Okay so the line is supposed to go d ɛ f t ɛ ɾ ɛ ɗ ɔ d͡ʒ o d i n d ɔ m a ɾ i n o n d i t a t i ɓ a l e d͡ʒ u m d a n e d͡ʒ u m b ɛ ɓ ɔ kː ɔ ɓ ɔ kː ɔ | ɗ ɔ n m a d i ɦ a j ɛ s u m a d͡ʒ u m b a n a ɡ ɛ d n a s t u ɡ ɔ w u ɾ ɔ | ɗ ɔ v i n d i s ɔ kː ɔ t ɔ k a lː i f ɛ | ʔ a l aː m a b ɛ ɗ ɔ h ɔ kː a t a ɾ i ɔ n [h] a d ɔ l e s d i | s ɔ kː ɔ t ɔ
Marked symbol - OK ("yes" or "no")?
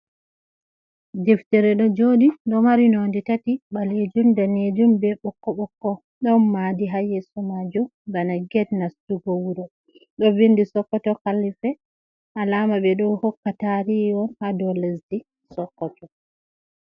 yes